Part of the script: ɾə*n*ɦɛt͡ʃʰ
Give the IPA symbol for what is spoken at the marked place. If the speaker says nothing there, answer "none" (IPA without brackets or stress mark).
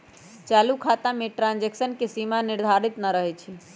none